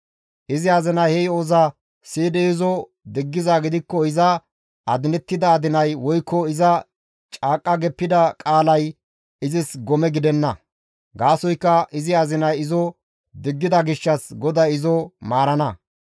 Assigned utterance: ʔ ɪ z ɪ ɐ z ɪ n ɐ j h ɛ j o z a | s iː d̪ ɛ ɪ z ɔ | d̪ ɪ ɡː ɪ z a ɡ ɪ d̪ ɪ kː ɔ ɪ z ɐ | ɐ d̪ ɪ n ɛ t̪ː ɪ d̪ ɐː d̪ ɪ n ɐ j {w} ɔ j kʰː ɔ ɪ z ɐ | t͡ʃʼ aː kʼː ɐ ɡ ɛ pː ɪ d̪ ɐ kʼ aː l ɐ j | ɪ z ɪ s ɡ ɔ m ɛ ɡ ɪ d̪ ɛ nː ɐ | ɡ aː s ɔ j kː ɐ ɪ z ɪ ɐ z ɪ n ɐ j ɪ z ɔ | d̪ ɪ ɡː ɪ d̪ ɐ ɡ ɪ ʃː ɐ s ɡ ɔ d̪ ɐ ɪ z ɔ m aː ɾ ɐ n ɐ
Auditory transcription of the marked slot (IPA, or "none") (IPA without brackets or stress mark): w